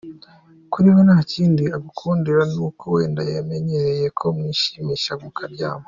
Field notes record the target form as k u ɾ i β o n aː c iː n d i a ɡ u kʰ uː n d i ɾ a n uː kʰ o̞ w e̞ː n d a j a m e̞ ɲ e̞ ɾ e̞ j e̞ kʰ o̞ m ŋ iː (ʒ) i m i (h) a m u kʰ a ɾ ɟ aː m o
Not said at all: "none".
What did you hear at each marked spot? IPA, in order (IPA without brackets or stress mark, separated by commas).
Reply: ʃ, ʃ